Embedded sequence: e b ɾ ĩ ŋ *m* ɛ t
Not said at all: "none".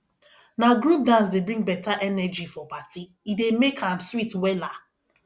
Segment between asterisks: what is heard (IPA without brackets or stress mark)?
b